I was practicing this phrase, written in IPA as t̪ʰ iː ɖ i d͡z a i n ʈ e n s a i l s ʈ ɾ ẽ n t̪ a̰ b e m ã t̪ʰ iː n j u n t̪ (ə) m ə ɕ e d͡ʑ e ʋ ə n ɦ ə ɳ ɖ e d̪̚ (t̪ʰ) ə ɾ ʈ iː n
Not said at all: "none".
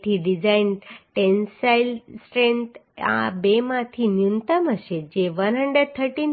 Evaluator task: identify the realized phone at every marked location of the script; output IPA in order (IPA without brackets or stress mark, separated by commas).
ə, t̪ʰ